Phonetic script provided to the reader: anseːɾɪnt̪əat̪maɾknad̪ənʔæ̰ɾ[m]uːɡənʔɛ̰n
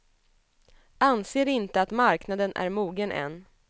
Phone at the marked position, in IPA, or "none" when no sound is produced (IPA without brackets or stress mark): m